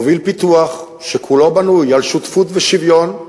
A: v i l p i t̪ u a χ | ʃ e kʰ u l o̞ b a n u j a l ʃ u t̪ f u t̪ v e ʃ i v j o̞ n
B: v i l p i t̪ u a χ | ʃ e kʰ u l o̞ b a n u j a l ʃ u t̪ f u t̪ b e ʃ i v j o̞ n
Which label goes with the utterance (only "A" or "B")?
A